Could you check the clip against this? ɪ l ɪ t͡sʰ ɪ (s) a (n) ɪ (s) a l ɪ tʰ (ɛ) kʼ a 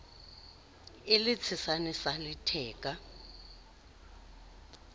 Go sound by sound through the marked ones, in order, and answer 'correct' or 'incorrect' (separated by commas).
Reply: correct, correct, correct, incorrect